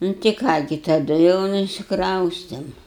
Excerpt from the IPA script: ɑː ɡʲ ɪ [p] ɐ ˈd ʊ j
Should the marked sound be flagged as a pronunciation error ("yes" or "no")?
yes